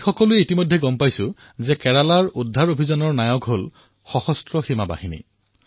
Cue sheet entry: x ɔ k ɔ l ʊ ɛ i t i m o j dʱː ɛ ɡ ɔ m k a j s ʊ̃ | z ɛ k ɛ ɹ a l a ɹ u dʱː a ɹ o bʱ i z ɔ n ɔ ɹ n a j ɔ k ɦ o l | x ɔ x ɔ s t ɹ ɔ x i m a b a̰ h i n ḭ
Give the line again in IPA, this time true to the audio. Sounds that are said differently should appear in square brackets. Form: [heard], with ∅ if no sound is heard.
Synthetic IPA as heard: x ɔ k ɔ l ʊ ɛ i t i m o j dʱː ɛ ɡ ɔ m [p] a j s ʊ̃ | z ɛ k ɛ ɹ a l a ɹ u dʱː a ɹ o bʱ i z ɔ n ɔ ɹ n a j ɔ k ɦ o l | x ɔ x ɔ s t ɹ ɔ x i m a b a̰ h i n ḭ